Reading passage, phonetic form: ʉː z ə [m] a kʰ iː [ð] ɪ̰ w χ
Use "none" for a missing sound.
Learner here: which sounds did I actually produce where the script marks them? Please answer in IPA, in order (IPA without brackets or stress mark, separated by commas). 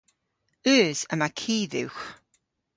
m, ð